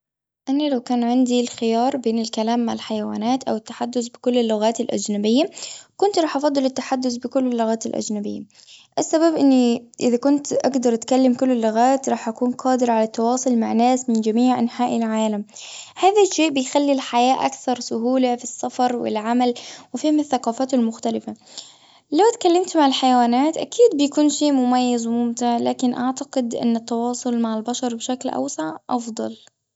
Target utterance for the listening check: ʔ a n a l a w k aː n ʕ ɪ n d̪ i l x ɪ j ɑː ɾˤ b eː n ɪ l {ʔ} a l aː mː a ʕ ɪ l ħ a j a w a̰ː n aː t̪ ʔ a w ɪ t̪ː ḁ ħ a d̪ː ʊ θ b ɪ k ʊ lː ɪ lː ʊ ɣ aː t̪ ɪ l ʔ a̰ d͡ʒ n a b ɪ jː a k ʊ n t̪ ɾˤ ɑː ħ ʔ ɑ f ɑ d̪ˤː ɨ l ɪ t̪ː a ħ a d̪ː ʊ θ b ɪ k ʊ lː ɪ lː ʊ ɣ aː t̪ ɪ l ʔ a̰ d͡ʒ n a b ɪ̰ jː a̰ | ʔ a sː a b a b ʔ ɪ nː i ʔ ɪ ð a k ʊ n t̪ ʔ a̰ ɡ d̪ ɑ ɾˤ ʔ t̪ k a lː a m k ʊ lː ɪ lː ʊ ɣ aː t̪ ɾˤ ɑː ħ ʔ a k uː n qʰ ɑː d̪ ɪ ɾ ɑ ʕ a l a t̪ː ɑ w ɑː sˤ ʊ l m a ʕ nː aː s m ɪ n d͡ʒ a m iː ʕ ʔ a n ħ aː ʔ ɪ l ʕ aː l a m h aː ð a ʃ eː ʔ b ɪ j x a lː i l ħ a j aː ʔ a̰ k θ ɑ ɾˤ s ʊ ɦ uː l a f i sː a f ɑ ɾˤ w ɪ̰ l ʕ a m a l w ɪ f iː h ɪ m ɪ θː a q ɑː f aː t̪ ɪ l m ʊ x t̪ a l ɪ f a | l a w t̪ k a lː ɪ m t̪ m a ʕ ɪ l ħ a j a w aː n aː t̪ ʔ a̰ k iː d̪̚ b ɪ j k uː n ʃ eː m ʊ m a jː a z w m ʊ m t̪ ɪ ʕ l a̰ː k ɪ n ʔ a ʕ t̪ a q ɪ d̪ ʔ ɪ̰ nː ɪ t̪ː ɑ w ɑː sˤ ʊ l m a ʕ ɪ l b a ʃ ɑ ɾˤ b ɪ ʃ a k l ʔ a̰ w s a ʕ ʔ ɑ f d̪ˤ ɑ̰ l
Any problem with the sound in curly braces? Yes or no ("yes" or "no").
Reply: yes